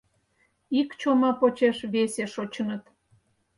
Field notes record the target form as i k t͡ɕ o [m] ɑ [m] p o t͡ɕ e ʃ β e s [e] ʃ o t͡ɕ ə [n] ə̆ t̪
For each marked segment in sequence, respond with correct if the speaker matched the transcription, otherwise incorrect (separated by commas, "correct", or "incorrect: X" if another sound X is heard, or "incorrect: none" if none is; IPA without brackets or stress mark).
correct, incorrect: none, correct, correct